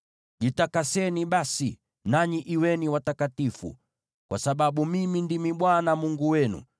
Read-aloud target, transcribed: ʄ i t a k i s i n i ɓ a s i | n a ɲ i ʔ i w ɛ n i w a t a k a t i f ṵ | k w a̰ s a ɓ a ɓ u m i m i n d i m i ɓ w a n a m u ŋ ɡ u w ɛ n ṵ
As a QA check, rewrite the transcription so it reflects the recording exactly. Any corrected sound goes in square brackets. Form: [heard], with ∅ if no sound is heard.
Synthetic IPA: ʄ i t a k [a] s [ɛ] n i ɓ a s i | n a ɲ i ʔ i w ɛ n i w a t a k a t i f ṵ | k w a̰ s a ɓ a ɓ u m i m i n d i m i ɓ w a n a m u ŋ ɡ u w ɛ n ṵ